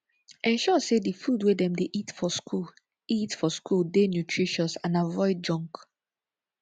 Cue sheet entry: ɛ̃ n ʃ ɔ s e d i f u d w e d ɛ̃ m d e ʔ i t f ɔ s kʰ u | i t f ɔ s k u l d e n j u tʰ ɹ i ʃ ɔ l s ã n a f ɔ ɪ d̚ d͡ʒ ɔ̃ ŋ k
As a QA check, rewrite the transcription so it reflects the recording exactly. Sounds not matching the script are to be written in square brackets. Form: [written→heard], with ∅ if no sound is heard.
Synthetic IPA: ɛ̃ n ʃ ɔ s e d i f u d w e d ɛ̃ m d e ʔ i t f ɔ s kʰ u | i t f ɔ s k u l d e n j u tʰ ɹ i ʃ ɔ [l→∅] s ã n a [f→v] ɔ ɪ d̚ d͡ʒ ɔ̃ ŋ k